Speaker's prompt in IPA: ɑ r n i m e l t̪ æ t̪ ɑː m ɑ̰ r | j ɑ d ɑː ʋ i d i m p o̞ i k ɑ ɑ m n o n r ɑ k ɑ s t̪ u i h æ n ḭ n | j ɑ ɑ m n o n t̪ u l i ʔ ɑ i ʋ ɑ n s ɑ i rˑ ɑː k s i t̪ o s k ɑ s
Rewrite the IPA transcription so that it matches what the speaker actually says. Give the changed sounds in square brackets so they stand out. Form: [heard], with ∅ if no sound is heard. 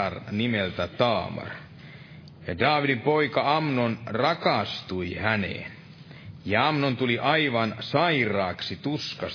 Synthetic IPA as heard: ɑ r n i m e l t̪ æ t̪ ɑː m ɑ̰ r | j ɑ d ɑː ʋ i d i m p o̞ i k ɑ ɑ m n o n r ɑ k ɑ s t̪ u i h æ n [ḛ] n | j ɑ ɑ m n o n t̪ u l i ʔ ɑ i ʋ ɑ n s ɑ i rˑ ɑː k s i t̪ [u] s k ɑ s